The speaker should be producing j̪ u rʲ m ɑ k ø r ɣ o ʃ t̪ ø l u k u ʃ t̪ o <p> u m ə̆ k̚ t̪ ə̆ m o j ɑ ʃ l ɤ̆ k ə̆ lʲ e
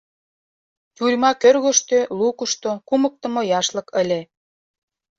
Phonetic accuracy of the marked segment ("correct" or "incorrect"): incorrect